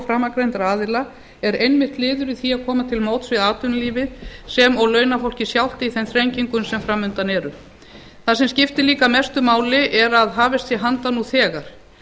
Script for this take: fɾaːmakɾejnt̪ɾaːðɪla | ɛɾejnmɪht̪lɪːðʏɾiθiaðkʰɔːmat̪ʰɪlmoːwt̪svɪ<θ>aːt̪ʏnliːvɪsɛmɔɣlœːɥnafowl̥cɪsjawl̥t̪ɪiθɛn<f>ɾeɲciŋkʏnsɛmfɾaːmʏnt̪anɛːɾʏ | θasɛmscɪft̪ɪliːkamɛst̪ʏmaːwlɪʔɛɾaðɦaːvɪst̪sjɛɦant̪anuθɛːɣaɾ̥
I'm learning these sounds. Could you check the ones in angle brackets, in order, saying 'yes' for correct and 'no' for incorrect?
no, no

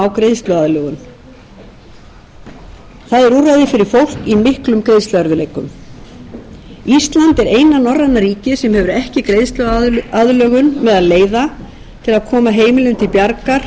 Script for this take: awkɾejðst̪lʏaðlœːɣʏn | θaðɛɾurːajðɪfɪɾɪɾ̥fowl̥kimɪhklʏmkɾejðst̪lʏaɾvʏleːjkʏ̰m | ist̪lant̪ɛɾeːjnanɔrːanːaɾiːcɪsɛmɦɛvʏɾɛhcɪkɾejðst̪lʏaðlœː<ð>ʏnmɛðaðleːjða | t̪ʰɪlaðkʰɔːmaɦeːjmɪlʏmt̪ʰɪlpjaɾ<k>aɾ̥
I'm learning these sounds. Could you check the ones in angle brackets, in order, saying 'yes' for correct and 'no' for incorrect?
no, yes

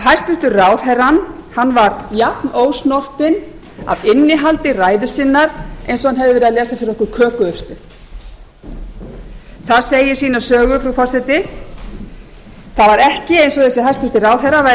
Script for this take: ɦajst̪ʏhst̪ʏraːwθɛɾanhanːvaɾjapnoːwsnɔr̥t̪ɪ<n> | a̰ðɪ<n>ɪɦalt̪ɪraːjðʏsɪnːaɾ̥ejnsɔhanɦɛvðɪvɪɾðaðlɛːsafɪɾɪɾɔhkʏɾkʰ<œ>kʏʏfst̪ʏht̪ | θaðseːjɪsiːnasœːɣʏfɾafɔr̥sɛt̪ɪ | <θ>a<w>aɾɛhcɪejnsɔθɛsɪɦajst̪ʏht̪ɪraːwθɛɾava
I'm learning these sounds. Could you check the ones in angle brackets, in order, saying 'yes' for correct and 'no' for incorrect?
yes, no, no, yes, no

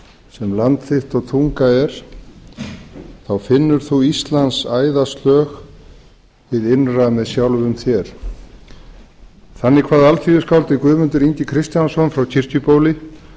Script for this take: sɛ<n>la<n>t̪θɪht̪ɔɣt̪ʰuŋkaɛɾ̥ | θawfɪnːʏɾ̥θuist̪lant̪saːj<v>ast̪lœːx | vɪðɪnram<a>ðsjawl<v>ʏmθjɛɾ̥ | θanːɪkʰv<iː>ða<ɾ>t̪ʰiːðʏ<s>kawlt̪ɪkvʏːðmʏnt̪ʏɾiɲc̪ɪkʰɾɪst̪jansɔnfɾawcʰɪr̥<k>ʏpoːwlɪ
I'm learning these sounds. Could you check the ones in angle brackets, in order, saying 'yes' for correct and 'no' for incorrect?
no, yes, no, no, yes, no, no, yes, no

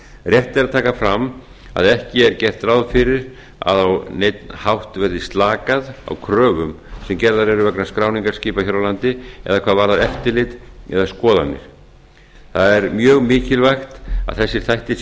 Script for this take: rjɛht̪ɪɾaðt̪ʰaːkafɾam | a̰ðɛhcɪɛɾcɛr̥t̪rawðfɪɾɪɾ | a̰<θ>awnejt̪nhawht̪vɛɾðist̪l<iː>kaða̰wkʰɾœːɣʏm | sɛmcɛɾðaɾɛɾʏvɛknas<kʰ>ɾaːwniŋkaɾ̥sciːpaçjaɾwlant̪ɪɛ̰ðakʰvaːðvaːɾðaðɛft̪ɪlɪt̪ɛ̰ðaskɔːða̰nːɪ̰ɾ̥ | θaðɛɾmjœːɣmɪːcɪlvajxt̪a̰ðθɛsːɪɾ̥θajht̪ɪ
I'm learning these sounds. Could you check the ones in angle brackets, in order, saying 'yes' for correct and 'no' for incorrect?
no, no, no

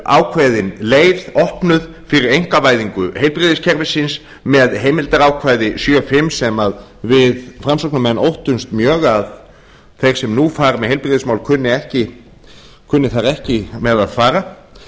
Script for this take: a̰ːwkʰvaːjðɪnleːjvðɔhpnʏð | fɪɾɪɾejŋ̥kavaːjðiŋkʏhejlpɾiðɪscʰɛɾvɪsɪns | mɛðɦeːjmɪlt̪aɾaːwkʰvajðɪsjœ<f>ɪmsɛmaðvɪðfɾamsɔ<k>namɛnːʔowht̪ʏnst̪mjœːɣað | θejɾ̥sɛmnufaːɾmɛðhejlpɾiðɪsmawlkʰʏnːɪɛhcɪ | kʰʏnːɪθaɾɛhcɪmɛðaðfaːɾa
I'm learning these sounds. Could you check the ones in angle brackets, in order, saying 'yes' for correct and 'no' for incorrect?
yes, yes

